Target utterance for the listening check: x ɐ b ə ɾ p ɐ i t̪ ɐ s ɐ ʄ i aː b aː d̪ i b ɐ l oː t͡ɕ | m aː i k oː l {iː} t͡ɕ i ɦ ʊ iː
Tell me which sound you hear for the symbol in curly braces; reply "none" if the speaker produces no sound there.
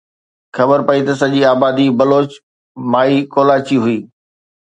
aː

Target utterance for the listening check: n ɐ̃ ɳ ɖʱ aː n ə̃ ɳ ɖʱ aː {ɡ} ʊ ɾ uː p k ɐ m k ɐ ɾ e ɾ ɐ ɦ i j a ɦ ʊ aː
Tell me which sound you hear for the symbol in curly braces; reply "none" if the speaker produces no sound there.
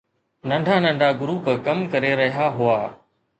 ɡ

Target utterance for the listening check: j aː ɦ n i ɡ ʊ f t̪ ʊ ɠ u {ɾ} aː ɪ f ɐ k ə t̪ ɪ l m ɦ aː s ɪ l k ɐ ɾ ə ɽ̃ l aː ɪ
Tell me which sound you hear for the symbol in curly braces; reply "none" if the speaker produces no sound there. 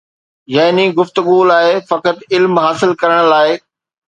l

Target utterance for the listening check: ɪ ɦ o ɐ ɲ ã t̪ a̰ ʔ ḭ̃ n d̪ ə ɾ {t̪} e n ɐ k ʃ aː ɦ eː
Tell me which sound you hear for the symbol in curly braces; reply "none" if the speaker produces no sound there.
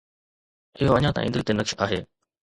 t̪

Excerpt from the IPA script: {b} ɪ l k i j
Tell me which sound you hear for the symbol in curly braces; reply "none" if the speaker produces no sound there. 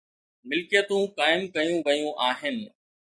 m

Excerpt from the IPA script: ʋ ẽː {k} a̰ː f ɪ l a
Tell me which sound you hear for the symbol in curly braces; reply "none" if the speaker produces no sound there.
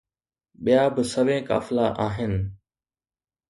k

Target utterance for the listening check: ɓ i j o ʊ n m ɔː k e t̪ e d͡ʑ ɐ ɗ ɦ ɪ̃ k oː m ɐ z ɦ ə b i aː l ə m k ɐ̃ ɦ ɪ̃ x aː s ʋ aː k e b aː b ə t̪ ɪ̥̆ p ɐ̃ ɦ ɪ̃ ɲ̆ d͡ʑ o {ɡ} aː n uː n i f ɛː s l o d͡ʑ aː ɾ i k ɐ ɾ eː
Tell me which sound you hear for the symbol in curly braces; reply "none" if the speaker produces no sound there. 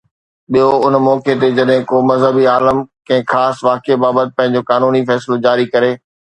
k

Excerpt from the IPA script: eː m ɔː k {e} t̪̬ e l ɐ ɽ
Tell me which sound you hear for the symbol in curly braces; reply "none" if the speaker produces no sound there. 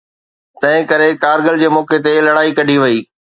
e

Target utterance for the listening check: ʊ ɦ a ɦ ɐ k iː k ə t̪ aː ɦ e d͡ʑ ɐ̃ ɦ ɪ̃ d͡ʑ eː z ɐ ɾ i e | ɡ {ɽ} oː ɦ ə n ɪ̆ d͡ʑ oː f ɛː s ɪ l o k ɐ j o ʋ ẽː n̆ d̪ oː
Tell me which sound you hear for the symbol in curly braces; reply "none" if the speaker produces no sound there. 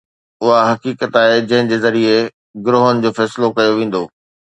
ɾ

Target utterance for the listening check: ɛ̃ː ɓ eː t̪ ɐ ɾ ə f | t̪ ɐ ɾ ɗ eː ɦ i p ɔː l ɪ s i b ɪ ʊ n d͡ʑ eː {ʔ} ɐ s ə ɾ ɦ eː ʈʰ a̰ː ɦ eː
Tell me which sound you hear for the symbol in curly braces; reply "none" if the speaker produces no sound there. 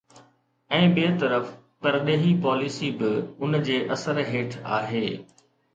ʔ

